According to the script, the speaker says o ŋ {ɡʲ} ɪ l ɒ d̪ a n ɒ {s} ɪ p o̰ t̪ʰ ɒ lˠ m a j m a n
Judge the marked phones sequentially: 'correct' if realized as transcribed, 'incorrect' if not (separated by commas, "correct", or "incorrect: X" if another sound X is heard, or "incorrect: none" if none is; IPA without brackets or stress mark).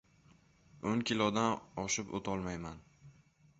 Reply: incorrect: kʲ, incorrect: ʃ